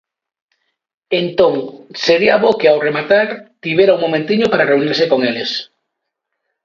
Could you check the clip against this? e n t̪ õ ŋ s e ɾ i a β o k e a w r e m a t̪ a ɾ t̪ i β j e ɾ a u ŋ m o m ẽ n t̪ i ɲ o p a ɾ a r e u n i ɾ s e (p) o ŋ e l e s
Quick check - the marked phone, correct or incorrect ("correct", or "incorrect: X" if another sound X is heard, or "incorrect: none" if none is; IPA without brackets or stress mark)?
incorrect: k